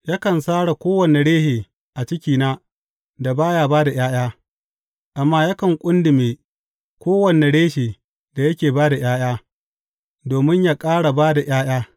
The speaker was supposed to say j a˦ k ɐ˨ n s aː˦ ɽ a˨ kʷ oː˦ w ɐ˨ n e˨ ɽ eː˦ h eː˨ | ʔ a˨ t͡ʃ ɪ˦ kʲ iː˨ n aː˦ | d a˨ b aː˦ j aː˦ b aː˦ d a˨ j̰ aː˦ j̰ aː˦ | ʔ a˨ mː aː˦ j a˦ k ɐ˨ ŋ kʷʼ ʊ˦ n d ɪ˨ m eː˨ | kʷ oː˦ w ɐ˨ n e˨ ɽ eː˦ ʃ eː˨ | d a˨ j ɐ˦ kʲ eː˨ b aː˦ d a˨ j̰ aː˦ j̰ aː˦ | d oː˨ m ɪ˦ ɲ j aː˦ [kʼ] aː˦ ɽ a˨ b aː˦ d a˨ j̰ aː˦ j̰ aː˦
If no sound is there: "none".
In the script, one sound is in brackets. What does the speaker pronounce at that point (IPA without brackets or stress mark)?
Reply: kʼ